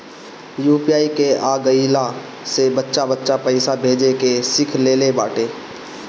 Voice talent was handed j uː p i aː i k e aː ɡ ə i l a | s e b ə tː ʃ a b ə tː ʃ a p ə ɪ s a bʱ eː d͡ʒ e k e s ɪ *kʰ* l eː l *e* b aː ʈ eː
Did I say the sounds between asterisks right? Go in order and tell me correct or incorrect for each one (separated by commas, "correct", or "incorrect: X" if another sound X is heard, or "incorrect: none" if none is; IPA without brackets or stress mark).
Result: correct, correct